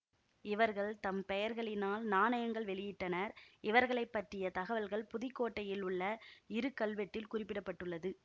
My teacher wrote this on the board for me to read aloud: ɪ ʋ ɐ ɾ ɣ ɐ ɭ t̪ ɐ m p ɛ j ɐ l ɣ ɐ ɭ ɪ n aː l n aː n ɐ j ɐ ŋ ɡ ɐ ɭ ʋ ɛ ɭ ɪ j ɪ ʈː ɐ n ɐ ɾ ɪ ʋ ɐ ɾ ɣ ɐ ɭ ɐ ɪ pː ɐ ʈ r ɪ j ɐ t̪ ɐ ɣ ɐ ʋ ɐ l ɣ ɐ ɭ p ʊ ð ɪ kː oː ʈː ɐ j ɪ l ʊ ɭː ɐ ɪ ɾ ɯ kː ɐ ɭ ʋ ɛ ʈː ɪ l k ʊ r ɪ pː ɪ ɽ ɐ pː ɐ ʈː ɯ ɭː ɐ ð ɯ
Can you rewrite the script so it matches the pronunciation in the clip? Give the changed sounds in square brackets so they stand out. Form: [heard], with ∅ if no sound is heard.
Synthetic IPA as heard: ɪ ʋ ɐ ɾ ɣ ɐ ɭ t̪ ɐ m p ɛ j ɐ [ɾ] ɣ ɐ ɭ ɪ n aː l n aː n ɐ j ɐ ŋ ɡ ɐ ɭ ʋ ɛ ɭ ɪ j ɪ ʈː ɐ n ɐ ɾ ɪ ʋ ɐ ɾ ɣ ɐ ɭ ɐ ɪ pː ɐ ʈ r ɪ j ɐ t̪ ɐ ɣ ɐ ʋ ɐ l ɣ ɐ ɭ p ʊ ð ɪ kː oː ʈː ɐ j ɪ l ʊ ɭː ɐ ɪ ɾ ɯ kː ɐ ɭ ʋ ɛ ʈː ɪ l k ʊ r ɪ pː ɪ ɽ ɐ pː ɐ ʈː ɯ ɭː ɐ ð ɯ